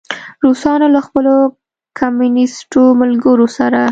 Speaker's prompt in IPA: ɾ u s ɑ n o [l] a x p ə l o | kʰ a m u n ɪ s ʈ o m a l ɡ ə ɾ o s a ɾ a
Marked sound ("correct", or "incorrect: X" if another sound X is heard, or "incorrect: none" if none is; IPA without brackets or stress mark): correct